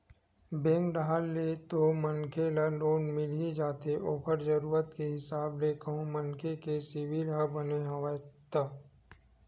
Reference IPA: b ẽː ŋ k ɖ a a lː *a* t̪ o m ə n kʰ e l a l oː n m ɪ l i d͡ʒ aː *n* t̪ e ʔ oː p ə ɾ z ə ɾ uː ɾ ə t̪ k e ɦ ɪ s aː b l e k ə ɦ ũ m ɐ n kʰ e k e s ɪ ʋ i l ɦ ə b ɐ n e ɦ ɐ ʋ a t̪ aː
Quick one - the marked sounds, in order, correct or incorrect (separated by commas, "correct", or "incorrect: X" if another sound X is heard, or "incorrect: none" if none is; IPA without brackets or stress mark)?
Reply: incorrect: e, incorrect: none